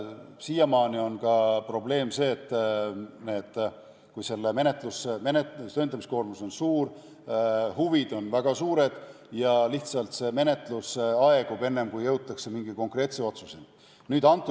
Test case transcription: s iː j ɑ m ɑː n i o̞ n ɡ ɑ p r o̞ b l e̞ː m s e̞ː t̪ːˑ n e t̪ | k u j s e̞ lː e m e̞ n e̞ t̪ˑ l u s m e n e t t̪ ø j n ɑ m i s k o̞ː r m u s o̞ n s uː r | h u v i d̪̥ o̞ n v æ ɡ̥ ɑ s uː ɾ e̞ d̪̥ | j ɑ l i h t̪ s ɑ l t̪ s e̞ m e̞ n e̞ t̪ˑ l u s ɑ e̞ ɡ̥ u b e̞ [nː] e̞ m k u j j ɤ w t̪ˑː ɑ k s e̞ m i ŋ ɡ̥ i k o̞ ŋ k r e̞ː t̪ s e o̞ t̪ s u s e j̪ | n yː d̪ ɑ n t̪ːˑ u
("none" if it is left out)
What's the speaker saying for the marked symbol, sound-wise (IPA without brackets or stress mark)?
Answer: nː